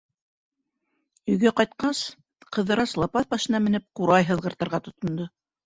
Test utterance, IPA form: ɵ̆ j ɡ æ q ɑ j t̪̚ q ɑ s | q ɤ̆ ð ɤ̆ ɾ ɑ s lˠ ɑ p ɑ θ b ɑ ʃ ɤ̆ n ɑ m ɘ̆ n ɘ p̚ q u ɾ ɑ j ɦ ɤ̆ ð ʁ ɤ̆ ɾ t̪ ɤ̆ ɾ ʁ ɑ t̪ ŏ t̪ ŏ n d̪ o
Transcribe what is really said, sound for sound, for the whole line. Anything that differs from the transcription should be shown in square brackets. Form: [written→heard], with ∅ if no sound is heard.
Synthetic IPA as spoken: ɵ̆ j ɡ æ q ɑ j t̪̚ q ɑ s | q ɤ̆ ð ɤ̆ ɾ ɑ s lˠ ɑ p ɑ θ b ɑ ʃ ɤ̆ n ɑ m ɘ̆ n ɘ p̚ q u ɾ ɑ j ɦ ɤ̆ ð ʁ ɤ̆ ɾ t̪ ɤ̆ ɾ ʁ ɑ t̪ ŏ t̪ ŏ n d̪ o